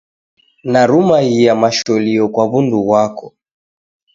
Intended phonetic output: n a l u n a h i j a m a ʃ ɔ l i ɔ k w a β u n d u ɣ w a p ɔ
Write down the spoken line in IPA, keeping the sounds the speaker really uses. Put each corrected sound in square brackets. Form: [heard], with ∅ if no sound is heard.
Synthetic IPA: n a [ɾ] u [m] a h i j a m a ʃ ɔ l i ɔ k w a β u n d u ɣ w a [k] ɔ